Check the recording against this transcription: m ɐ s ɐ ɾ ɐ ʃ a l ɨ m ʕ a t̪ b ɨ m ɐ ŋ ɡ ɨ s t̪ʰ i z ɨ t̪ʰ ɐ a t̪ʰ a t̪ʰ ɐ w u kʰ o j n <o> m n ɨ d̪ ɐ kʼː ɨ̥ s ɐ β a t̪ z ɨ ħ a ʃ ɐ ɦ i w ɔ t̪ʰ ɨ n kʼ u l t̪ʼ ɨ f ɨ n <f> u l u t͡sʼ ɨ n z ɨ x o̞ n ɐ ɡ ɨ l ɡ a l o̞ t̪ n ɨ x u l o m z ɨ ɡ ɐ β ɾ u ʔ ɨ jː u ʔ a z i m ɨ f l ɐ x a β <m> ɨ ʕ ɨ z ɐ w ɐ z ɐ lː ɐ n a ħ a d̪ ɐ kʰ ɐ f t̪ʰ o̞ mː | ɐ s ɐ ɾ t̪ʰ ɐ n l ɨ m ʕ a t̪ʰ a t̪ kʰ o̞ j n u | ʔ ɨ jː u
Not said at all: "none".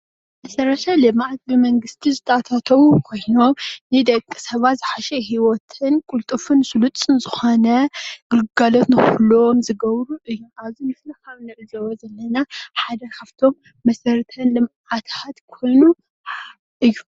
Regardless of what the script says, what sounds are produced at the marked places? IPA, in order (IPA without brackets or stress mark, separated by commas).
o, s, n